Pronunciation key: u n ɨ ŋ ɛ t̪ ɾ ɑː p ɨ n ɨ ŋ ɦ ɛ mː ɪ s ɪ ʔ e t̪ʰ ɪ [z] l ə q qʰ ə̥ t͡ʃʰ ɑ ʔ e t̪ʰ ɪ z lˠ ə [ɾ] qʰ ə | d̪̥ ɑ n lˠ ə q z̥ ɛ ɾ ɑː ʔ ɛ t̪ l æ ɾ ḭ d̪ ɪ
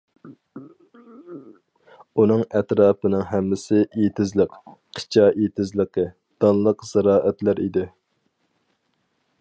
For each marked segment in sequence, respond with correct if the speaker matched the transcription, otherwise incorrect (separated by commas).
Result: correct, incorrect